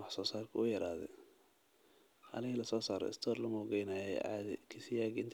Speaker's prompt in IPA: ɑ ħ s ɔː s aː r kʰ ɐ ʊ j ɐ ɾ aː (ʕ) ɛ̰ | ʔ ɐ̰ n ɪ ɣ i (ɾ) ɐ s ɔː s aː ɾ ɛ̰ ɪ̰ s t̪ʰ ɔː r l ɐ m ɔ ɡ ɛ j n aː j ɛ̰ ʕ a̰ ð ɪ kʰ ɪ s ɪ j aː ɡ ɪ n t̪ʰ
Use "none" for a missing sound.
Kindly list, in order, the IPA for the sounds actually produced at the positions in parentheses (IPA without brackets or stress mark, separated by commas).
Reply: ð, l